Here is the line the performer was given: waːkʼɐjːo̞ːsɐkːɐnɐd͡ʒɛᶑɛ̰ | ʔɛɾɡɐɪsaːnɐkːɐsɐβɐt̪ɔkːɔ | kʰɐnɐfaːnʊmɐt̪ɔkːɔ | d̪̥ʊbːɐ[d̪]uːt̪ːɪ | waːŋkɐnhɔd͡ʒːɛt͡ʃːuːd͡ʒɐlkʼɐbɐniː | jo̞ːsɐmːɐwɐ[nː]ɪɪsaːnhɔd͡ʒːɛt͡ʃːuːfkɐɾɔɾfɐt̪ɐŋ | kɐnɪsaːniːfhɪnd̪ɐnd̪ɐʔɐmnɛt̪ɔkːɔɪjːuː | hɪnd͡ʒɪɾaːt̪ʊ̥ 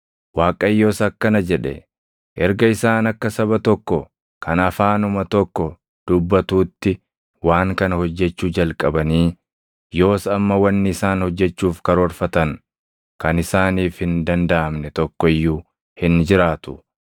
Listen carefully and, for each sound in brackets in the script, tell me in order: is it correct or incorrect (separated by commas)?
incorrect, correct